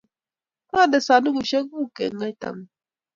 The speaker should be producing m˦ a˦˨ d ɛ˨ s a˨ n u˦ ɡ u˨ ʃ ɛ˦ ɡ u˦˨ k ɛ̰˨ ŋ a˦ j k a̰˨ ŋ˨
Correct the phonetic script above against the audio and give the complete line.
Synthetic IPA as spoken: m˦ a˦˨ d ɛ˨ s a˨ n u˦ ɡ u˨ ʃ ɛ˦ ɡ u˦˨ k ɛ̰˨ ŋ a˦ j t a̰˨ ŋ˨